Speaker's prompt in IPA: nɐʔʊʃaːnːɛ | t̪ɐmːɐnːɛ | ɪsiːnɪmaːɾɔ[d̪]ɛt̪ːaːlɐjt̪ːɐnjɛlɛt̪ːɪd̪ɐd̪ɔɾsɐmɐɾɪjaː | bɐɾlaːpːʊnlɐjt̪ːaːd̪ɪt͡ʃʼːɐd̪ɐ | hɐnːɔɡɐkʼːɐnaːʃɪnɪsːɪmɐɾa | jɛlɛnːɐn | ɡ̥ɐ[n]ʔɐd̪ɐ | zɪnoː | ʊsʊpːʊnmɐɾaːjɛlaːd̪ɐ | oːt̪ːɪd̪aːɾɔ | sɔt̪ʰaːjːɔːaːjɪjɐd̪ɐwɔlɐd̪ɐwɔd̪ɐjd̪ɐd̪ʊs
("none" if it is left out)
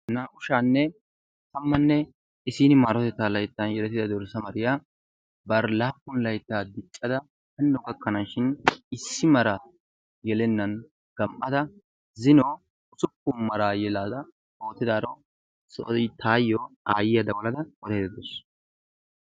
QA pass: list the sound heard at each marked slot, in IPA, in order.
t̪, m

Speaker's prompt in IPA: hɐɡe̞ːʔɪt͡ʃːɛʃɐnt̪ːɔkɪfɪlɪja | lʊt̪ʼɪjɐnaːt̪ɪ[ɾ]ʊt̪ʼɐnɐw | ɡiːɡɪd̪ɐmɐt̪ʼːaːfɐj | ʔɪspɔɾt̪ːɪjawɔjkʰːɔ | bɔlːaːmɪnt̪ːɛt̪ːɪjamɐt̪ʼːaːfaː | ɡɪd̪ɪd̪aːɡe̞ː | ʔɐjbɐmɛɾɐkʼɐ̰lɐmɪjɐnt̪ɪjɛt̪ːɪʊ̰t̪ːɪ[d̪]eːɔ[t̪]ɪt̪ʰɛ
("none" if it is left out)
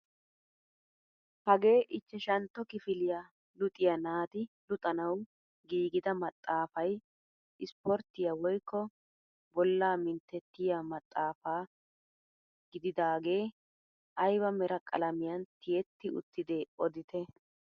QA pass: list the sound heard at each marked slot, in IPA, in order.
l, d̪, d̪

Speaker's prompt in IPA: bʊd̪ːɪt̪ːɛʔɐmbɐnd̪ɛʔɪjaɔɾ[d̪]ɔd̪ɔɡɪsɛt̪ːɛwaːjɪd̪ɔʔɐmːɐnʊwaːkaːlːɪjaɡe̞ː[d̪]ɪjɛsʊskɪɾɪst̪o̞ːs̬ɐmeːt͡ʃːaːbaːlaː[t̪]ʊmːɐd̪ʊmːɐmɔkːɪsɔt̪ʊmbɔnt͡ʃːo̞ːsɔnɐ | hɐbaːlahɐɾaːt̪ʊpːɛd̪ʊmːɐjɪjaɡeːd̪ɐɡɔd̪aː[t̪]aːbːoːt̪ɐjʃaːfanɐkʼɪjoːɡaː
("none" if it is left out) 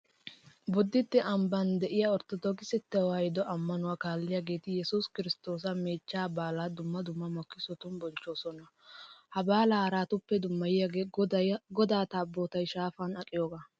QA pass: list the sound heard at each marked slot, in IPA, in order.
t̪, t̪, d̪, t̪

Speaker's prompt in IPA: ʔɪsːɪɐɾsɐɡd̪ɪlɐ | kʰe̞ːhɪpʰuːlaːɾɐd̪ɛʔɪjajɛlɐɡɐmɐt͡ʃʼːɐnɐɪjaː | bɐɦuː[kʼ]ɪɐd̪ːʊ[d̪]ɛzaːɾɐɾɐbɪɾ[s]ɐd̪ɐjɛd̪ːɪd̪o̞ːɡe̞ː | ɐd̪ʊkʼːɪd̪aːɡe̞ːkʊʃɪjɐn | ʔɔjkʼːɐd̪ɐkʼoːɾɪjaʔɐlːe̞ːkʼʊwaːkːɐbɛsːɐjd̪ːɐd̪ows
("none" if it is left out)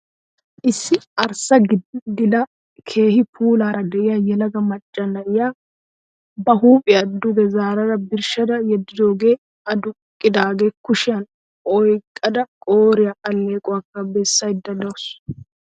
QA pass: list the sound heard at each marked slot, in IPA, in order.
pʼ, d̪, ʃ

